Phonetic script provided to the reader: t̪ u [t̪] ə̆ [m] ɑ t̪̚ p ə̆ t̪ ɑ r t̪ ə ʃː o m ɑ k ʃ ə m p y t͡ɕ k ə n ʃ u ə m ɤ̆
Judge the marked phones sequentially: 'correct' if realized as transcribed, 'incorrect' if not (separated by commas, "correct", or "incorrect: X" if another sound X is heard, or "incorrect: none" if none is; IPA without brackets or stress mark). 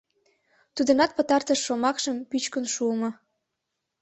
incorrect: d̪, incorrect: n